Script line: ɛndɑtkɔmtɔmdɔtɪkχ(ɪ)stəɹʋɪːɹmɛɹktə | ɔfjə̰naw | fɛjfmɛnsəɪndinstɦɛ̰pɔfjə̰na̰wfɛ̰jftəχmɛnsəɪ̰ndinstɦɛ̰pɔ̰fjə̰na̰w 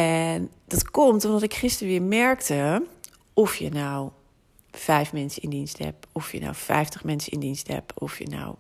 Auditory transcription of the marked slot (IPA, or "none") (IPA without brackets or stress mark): ɪ